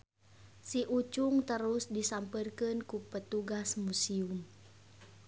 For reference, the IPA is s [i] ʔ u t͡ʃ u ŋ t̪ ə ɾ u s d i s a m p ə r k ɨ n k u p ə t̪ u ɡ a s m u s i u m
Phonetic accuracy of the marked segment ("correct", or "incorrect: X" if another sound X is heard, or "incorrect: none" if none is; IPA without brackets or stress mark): correct